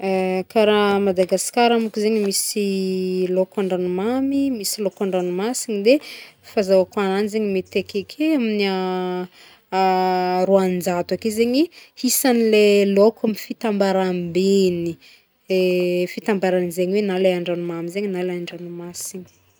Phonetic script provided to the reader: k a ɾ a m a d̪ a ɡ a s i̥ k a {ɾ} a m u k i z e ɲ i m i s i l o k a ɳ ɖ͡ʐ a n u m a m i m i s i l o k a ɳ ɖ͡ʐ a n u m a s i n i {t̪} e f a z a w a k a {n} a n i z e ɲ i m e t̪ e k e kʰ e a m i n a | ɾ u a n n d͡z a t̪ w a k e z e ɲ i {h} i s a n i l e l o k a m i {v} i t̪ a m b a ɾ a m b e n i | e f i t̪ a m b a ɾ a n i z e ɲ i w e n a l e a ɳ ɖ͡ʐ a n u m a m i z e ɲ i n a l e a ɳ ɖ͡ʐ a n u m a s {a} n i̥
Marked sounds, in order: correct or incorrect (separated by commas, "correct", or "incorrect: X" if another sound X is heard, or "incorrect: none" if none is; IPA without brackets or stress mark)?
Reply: correct, incorrect: d̪, correct, correct, incorrect: f, incorrect: i